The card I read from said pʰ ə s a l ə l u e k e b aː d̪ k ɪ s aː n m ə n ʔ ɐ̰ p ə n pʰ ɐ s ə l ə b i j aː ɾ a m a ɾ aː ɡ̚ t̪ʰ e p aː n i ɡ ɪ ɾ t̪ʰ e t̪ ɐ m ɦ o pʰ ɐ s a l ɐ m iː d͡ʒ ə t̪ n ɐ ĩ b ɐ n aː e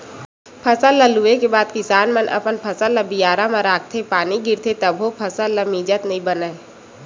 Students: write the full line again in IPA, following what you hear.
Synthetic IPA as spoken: pʰ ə s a l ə l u e k e b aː d̪ k ɪ s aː n m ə n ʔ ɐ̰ p ə n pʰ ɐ s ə l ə b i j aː ɾ a m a ɾ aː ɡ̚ t̪ʰ e p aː n i ɡ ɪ ɾ t̪ʰ e t̪ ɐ b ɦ o pʰ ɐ s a l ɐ m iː d͡ʒ ə t̪ n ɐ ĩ b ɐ n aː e